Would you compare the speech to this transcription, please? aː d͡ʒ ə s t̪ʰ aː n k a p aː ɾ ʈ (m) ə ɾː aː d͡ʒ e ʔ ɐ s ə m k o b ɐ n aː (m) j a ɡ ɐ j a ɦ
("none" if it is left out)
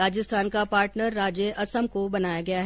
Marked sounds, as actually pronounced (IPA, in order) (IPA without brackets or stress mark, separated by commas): n, none